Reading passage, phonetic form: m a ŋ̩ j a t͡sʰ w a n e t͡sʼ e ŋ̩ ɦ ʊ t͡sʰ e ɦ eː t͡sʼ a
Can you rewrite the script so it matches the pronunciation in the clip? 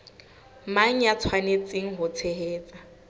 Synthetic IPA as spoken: m a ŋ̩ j a t͡sʰ w a n e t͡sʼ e ŋ̩ ɦ ʊ t͡sʰ e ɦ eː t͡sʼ a